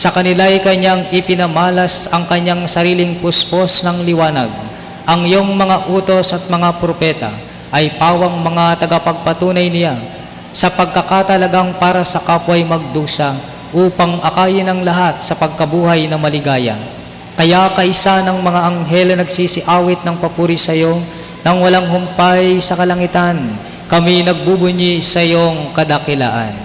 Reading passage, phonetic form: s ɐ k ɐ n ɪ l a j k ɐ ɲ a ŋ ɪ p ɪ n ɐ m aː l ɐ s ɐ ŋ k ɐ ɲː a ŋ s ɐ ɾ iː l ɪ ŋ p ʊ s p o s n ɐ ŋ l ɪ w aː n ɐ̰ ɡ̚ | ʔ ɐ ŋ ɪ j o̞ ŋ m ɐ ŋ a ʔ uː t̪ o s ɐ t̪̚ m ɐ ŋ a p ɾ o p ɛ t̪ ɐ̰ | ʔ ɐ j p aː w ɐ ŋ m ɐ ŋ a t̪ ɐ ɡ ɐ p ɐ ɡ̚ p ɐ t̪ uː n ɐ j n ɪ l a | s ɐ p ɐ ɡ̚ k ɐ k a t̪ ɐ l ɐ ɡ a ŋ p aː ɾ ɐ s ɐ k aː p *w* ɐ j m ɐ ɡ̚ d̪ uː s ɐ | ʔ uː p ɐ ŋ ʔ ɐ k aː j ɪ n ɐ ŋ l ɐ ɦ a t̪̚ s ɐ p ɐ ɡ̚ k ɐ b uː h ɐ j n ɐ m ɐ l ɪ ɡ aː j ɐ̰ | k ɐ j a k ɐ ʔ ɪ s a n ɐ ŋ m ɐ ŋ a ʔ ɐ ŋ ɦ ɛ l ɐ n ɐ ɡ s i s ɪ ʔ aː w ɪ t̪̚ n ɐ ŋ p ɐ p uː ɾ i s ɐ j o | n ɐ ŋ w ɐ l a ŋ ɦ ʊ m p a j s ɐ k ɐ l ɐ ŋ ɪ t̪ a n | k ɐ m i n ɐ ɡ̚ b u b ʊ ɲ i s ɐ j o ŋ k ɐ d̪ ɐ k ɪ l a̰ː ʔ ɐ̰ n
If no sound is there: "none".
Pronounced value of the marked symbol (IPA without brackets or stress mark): w